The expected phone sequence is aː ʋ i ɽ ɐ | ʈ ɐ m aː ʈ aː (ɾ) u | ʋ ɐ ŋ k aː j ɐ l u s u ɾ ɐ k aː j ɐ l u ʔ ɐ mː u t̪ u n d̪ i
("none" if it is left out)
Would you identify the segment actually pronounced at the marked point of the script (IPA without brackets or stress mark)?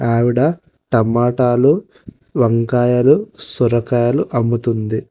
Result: l